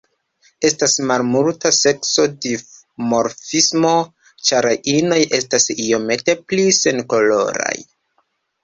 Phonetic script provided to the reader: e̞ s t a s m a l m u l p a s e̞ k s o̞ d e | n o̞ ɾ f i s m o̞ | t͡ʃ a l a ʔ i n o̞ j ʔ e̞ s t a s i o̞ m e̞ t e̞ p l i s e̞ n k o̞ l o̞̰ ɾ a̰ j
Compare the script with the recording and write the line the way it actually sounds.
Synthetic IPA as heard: e̞ s t a s m a l m u l t a s e̞ k s o̞ d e | m o̞ ɾ f i s m o̞ | t͡ʃ a ɾ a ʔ i n o̞ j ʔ e̞ s t a s i o̞ m e̞ t e̞ p l i s e̞ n k o̞ l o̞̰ ɾ a̰ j